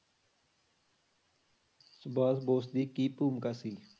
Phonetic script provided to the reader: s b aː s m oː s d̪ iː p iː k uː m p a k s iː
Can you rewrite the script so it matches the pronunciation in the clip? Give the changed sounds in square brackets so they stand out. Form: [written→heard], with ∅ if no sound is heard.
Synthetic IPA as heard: s b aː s [m→b] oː s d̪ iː [p→k] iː [k→p] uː m [p→k] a [k→∅] s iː